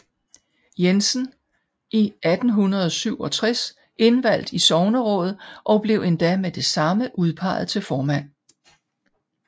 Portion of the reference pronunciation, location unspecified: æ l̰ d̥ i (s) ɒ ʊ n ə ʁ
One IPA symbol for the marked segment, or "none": s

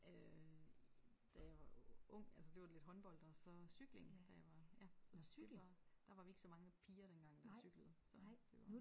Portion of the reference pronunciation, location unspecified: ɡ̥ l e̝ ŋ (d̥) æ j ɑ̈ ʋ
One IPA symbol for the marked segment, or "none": d̥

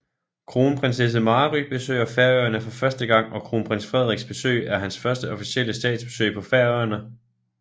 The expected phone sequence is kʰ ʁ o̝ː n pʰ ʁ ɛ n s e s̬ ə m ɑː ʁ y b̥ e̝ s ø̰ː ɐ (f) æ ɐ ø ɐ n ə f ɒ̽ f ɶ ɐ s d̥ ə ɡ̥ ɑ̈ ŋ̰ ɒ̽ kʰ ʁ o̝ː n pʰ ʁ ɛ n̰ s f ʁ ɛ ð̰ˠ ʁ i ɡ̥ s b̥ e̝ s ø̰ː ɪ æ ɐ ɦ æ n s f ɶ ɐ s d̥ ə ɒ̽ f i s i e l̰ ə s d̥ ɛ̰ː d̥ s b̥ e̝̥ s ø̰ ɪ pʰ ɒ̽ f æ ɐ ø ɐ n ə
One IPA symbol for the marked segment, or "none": f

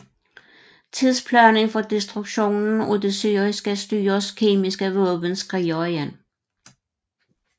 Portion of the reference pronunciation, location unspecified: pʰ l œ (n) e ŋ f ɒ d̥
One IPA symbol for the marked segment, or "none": n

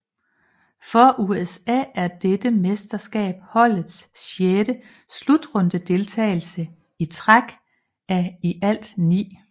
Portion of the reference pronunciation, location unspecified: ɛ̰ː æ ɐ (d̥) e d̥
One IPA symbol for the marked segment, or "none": d̥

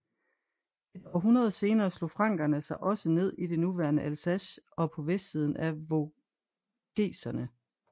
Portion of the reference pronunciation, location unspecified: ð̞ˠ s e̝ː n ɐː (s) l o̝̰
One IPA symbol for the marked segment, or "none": s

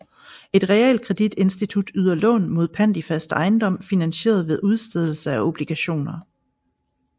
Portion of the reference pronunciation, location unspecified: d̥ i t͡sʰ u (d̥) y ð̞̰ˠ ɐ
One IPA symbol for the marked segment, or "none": d̥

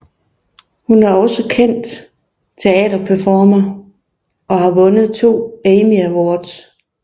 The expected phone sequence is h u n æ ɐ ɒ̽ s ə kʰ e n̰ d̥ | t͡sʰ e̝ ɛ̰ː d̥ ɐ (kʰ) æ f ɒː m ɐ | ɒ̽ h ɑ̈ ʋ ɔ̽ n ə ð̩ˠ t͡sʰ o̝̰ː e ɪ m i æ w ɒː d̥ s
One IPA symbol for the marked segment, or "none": pʰ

